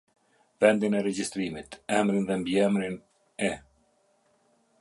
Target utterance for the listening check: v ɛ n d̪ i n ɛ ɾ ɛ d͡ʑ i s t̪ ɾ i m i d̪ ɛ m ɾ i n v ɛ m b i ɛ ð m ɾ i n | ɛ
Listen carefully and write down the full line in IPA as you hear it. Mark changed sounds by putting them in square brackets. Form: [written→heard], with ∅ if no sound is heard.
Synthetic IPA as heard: v ɛ n d̪ i n ɛ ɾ ɛ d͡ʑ i s t̪ ɾ i m i [d̪→t̪] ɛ m ɾ i n [v→ð] ɛ m b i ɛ [ð→∅] m ɾ i n | ɛ